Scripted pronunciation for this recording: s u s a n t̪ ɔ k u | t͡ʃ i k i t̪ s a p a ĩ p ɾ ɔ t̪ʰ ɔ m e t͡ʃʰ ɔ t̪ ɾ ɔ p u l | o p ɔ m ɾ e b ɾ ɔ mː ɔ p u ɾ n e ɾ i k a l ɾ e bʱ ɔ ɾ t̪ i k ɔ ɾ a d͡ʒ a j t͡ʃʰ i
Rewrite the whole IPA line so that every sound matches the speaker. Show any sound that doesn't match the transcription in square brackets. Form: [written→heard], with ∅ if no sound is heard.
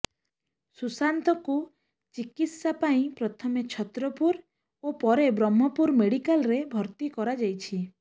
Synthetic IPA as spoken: s u s a n t̪ ɔ k u | t͡ʃ i k i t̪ s a p a ĩ p ɾ ɔ t̪ʰ ɔ m e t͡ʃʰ ɔ t̪ ɾ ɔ p u [l→ɾ] | o p ɔ [m→∅] ɾ e b ɾ ɔ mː ɔ p u ɾ [n→m] e [ɾ→ɽ] i k a l ɾ e bʱ ɔ ɾ t̪ i k ɔ ɾ a d͡ʒ a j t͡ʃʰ i